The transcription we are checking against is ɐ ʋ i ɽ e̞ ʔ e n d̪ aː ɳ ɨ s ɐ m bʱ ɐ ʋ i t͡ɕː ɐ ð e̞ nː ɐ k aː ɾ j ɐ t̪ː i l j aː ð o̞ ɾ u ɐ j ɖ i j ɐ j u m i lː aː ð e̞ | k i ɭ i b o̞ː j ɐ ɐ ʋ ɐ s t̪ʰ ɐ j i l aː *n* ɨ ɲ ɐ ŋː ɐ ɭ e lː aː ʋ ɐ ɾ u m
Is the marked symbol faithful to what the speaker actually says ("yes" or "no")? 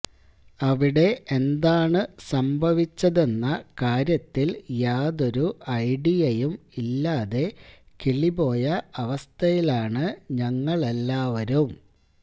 no